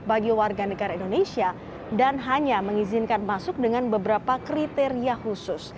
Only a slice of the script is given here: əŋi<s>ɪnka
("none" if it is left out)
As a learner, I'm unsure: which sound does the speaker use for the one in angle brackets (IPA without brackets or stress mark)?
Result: z